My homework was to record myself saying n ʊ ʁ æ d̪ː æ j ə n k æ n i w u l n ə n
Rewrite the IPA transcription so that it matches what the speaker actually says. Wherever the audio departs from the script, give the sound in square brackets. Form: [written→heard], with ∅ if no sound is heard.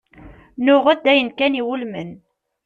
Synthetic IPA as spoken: n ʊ ʁ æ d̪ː æ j ə n k æ n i w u l [n→m] ə n